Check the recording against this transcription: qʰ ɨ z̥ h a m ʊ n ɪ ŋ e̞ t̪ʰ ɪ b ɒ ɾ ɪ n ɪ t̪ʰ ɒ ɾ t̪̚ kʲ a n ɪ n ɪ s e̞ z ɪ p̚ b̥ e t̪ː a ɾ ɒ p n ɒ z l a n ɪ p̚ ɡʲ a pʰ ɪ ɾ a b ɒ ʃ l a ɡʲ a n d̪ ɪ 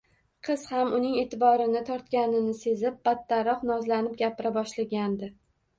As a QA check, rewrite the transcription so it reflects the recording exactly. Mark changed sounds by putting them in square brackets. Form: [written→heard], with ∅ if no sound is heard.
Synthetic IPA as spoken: qʰ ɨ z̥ h a m ʊ n ɪ ŋ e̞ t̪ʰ ɪ b ɒ ɾ ɪ n ɪ t̪ʰ ɒ ɾ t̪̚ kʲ a n ɪ n ɪ s e̞ z ɪ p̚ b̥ [e→a] t̪ː a ɾ ɒ [p→q] n ɒ z l a n ɪ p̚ ɡʲ a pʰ ɪ ɾ a b ɒ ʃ l a ɡʲ a n d̪ ɪ

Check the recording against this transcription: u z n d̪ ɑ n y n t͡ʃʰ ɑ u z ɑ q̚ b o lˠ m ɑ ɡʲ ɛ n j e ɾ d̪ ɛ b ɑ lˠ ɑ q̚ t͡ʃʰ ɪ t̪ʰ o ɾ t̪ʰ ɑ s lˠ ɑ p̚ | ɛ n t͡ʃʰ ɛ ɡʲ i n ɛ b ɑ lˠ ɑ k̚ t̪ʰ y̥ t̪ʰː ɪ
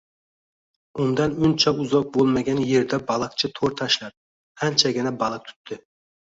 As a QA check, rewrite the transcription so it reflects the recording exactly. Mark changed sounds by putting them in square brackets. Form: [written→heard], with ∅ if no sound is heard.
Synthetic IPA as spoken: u [z→∅] n d̪ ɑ n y n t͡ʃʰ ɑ u z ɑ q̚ b o lˠ m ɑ ɡʲ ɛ n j e ɾ d̪ ɛ b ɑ lˠ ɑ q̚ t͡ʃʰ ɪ t̪ʰ o ɾ t̪ʰ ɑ [s→ʃ] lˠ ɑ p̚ | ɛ n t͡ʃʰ ɛ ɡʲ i n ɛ b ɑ lˠ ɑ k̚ t̪ʰ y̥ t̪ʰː ɪ

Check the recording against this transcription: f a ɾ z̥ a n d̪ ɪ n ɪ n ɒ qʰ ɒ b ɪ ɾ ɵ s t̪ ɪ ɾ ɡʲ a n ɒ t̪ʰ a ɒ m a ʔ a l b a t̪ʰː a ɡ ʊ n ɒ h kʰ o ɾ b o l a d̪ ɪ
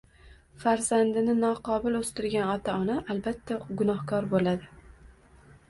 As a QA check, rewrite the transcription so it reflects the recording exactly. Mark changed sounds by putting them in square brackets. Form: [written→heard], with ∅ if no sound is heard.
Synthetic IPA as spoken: f a ɾ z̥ a n d̪ ɪ n ɪ n ɒ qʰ ɒ b ɪ [ɾ→l] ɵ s t̪ ɪ ɾ ɡʲ a n ɒ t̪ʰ a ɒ [m→n] a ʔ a l b a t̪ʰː a ɡ ʊ n ɒ h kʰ [o→ɒ] ɾ b o l a d̪ ɪ

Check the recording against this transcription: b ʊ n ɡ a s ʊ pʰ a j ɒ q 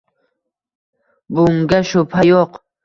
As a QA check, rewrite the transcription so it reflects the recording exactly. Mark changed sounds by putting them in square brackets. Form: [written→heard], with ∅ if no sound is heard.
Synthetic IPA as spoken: b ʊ [n→ŋ] ɡ a [s→ʃ] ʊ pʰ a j [ɒ→o] q

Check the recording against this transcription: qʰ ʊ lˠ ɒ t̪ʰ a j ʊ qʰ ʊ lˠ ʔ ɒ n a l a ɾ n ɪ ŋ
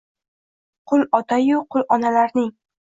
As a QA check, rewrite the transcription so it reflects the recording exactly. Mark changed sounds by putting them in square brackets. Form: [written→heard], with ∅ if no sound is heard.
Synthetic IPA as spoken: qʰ ʊ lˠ ɒ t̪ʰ a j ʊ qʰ ʊ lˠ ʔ ɒ n a l a ɾ n ɪ ŋ

